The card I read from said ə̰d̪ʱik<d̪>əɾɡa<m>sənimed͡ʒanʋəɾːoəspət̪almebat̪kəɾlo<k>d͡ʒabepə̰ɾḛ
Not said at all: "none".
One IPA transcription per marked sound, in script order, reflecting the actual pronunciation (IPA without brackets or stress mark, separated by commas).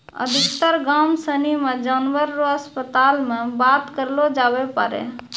t̪, m, none